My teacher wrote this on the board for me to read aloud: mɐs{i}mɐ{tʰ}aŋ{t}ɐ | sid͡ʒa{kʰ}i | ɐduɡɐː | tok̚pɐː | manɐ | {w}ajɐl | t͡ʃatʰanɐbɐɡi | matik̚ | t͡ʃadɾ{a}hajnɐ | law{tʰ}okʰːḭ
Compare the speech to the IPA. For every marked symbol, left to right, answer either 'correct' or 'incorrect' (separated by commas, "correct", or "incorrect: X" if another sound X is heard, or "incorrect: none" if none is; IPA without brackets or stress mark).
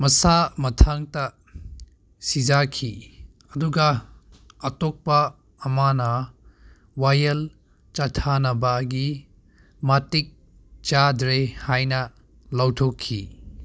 incorrect: a, correct, correct, correct, correct, incorrect: e, correct